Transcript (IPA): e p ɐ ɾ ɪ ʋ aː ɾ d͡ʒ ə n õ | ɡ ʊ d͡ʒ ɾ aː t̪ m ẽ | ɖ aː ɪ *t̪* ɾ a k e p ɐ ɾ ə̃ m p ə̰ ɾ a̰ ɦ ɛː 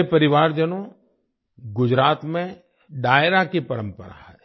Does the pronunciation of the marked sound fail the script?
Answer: yes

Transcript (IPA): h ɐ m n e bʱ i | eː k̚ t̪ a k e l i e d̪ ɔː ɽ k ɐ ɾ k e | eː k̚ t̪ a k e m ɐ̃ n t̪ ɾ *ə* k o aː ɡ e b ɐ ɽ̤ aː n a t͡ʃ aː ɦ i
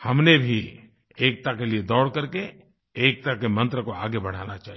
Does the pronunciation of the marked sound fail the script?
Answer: no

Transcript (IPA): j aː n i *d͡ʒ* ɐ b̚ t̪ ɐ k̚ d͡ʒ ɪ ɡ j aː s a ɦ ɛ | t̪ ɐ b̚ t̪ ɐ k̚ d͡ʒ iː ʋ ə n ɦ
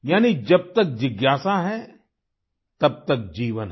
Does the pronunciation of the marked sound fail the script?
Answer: no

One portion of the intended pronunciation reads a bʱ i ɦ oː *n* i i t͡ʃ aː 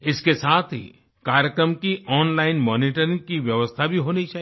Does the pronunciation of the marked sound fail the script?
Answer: no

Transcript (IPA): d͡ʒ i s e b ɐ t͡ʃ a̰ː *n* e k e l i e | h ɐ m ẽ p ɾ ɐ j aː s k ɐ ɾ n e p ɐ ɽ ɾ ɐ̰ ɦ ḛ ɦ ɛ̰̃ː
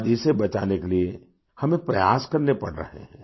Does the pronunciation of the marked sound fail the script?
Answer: no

